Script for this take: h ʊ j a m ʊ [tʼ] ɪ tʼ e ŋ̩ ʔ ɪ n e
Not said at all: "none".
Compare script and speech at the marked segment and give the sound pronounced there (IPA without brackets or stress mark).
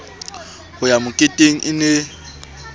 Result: kʼ